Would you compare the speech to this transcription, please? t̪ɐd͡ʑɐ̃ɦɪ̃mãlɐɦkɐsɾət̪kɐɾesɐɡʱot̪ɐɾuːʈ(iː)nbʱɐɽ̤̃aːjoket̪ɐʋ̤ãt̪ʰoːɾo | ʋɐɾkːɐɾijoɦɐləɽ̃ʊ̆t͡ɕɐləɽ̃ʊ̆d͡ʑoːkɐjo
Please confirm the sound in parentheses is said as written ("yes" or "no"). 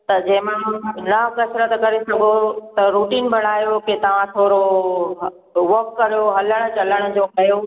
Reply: yes